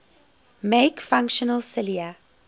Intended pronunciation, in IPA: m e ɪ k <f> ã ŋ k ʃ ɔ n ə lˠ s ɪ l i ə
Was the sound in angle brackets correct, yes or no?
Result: yes